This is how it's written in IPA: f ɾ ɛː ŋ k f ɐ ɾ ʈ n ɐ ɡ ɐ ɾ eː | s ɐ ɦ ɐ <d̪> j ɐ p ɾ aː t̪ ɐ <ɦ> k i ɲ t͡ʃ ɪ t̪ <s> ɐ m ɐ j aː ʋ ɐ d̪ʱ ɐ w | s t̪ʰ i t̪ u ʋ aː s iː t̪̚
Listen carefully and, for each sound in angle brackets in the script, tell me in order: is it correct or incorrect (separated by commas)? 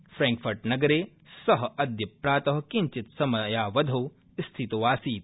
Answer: correct, correct, correct